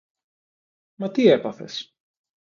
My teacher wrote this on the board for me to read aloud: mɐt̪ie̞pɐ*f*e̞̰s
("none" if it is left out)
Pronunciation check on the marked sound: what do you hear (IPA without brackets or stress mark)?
θ